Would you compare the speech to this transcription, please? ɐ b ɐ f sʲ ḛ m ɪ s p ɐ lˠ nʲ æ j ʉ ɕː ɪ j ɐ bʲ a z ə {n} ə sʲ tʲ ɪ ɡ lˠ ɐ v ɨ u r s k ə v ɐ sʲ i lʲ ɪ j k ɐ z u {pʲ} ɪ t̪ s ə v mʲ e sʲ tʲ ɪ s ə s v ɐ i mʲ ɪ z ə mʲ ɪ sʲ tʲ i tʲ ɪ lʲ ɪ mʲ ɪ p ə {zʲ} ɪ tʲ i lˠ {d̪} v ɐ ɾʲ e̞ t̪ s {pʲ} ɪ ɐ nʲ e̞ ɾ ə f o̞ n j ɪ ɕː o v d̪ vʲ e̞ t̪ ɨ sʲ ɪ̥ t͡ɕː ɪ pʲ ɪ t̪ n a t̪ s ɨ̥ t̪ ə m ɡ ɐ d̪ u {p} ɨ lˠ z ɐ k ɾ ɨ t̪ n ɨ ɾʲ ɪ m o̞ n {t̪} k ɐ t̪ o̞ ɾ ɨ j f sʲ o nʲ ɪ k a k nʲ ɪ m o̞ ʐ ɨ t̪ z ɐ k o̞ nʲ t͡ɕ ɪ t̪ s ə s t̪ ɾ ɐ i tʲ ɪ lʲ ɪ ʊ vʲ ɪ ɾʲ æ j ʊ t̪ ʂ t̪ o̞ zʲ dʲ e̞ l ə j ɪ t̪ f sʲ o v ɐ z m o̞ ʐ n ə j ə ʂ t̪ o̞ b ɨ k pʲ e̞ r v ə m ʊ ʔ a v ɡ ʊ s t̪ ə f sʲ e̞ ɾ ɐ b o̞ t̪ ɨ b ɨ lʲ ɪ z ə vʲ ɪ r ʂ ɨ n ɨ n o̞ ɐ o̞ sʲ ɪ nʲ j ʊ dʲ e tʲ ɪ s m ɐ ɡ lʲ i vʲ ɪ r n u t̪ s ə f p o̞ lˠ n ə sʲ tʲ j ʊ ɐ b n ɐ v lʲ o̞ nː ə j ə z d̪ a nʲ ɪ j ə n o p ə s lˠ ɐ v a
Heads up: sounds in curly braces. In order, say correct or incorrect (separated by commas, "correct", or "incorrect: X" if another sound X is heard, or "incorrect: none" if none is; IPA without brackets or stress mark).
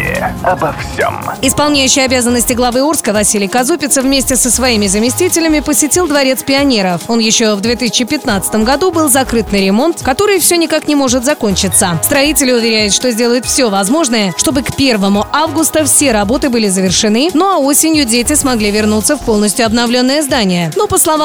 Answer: incorrect: nː, correct, incorrect: sʲ, correct, correct, incorrect: b, correct